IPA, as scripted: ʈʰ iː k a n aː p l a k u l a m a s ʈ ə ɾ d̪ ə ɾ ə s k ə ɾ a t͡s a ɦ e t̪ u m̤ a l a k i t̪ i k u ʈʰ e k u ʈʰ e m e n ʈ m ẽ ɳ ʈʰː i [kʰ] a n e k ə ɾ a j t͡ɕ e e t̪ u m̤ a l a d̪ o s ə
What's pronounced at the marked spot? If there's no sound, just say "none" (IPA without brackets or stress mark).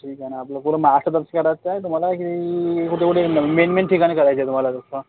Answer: k